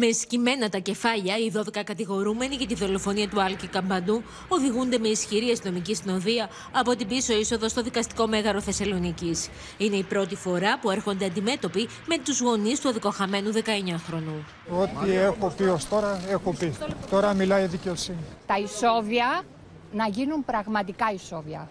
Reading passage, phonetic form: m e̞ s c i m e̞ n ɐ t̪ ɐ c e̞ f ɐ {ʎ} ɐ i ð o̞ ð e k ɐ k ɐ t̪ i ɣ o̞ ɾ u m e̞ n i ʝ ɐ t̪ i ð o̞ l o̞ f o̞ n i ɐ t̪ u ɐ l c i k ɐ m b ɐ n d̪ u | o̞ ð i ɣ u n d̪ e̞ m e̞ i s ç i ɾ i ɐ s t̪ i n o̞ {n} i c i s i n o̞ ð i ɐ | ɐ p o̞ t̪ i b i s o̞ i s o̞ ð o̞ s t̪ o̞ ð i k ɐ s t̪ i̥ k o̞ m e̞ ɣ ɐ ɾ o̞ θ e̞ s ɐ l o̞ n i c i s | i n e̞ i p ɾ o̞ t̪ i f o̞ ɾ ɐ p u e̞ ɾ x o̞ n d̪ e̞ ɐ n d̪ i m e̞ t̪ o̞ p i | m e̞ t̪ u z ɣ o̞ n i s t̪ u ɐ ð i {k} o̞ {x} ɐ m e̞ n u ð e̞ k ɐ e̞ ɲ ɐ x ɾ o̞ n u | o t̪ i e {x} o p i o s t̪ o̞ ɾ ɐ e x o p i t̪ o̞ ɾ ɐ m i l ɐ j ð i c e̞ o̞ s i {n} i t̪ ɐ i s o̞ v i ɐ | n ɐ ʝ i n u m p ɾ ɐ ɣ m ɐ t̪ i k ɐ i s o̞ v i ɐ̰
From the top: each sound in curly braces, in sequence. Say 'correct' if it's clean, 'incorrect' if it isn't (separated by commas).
correct, incorrect, correct, correct, correct, correct